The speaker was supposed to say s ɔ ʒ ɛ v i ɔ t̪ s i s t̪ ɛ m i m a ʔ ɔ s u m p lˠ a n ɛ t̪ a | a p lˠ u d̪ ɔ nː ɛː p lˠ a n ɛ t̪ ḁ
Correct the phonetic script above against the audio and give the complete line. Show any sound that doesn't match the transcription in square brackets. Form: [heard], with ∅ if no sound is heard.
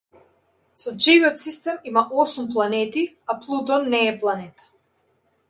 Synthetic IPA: s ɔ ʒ [i] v i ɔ t̪ s i s t̪ ɛ m i m a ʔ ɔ s u m p lˠ a n ɛ t̪ [i] | a p lˠ u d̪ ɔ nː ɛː p lˠ a n ɛ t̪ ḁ